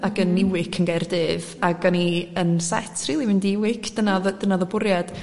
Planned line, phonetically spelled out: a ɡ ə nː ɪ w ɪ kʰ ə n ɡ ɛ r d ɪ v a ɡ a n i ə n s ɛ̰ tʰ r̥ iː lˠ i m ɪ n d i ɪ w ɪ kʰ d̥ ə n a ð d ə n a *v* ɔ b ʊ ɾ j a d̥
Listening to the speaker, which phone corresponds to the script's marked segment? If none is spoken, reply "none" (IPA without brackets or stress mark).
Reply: ð